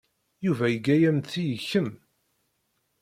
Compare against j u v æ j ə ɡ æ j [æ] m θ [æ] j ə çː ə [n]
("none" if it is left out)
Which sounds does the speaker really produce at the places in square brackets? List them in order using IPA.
æ, i, m

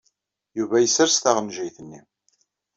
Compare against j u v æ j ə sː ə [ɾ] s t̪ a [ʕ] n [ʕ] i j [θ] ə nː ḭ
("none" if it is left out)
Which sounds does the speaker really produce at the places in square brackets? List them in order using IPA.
ɾ, ʁ, ʒ, θ

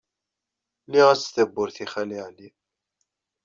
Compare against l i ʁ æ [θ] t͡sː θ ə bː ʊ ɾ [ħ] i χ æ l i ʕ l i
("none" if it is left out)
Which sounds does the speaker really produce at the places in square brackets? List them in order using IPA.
none, θ

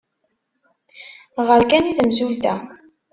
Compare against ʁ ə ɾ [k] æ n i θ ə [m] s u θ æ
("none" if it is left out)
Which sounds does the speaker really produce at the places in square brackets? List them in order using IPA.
k, m

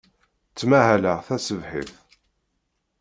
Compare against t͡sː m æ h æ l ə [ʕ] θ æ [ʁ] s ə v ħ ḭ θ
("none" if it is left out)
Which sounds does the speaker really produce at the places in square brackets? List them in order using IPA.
ʁ, none

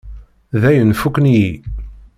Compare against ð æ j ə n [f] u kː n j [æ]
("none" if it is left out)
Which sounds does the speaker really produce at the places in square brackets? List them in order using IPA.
f, i

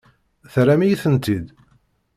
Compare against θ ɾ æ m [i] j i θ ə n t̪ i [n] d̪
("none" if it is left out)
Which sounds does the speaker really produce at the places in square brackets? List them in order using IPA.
i, none

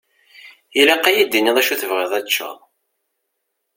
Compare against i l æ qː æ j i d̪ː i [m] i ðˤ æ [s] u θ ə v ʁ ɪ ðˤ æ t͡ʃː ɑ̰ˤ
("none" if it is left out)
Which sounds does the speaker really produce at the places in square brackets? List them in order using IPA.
n, ʃ

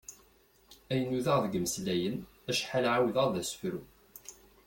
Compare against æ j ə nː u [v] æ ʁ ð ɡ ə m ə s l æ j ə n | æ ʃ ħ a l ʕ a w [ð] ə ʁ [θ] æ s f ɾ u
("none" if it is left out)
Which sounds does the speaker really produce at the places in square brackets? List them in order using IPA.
ð, ð, ð

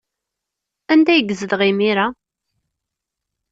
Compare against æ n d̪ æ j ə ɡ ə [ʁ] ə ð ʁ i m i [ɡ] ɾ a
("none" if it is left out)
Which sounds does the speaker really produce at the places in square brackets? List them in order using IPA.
z, none

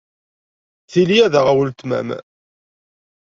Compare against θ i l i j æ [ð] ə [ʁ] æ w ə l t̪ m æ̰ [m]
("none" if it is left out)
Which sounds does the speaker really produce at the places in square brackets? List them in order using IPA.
ð, ʁ, m

